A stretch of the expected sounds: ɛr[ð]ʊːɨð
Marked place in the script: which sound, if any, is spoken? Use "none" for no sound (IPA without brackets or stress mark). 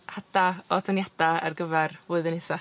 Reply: v